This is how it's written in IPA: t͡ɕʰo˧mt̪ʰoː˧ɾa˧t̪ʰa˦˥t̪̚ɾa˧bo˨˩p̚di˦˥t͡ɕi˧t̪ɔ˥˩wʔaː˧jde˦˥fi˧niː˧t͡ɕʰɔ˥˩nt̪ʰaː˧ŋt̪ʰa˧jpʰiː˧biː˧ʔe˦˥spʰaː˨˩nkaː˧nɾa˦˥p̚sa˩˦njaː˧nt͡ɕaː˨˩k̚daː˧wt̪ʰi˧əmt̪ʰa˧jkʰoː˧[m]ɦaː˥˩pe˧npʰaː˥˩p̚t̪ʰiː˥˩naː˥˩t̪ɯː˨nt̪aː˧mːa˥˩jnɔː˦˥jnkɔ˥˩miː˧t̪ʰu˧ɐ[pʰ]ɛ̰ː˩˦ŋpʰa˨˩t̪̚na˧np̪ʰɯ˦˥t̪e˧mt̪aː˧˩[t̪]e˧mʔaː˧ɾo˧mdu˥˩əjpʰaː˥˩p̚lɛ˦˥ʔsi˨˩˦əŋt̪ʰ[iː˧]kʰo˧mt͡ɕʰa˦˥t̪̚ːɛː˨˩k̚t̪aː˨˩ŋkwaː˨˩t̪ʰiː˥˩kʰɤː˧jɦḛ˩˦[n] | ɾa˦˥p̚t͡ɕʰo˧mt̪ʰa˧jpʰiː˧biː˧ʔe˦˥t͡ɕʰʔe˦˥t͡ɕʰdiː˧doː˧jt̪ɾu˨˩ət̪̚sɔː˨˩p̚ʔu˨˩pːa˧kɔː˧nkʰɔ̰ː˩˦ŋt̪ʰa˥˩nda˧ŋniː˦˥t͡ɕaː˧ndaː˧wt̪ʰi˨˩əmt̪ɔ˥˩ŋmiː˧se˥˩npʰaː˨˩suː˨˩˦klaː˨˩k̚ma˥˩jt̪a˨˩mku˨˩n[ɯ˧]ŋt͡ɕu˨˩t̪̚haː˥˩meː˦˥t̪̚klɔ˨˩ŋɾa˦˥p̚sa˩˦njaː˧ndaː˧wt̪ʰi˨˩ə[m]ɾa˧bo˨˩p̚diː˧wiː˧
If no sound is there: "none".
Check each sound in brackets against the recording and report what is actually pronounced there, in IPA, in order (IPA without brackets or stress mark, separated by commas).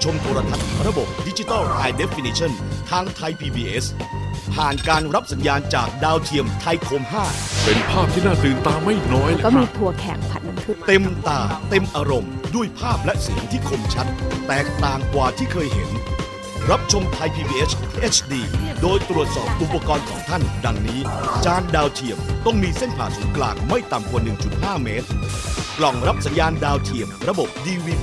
m, kʰ, t̪, iː˥˩, n, ɯ˨˩, m